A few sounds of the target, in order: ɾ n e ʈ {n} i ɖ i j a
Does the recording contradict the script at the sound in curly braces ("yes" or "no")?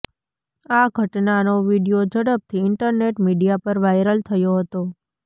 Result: yes